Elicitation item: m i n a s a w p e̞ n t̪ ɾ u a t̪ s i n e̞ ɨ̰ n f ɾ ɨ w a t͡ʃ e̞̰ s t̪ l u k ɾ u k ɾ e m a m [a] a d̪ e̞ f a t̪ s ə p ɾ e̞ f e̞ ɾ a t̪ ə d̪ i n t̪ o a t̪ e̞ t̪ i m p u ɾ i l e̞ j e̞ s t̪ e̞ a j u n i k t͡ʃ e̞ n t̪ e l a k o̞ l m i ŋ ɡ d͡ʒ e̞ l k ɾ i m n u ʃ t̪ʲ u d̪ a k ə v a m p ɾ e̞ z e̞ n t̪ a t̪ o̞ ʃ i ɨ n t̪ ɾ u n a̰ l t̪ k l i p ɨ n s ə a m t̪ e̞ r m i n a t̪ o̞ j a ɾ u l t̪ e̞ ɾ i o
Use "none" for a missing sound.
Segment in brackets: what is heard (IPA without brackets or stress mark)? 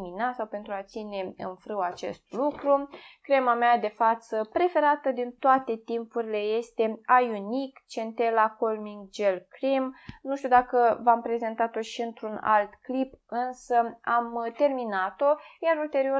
e